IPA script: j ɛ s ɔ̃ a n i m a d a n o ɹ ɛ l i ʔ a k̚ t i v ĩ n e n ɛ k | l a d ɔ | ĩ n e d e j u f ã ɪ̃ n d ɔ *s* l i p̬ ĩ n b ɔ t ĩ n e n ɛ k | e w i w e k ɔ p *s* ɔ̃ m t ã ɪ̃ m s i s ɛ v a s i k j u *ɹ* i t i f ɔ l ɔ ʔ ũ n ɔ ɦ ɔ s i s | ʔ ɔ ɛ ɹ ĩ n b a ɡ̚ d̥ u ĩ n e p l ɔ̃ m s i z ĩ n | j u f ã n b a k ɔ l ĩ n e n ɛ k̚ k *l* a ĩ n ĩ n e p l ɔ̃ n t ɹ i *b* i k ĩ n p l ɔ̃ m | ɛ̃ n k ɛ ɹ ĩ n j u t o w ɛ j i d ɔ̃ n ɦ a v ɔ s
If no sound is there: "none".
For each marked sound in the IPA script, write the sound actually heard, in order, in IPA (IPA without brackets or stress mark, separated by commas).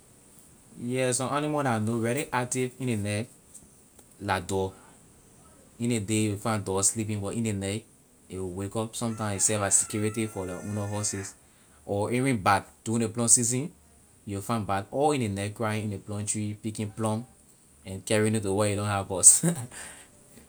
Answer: s, s, ɹ, ɹ, p